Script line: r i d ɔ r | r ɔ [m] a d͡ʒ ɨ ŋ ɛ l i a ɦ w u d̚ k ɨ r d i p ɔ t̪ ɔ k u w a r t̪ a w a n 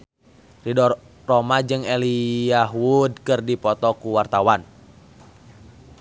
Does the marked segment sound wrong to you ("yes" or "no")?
no